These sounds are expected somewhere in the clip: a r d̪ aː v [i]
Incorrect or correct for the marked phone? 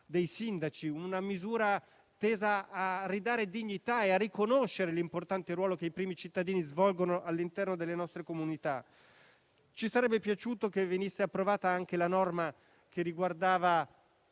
incorrect: a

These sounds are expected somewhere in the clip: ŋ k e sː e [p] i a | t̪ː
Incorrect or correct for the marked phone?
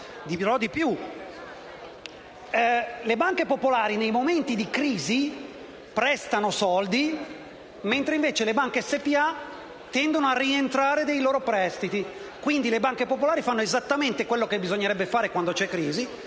correct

